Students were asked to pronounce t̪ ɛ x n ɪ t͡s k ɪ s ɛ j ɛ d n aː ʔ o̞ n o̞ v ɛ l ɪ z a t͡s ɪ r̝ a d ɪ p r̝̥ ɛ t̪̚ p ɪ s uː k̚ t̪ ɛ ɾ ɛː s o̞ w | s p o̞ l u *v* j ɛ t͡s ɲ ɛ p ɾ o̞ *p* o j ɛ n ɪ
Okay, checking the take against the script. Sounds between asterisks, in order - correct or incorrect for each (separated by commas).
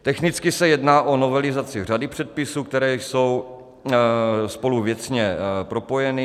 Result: correct, correct